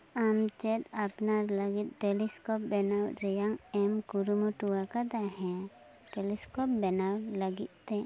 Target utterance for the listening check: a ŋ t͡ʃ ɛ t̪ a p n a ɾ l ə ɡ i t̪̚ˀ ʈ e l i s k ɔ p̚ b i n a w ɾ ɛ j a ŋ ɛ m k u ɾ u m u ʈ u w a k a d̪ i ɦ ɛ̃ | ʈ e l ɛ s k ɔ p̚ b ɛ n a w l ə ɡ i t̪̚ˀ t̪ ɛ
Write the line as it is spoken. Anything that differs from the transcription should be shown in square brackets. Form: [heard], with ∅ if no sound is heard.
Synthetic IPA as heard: a [m] t͡ʃ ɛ t̪ a p n a ɾ l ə ɡ i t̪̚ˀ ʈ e l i s k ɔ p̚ b [ɛ] n a w ɾ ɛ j a ŋ ɛ m k u ɾ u m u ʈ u w a k a d̪ [a] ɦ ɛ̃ | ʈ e l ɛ s k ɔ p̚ b ɛ n a w l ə ɡ i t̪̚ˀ t̪ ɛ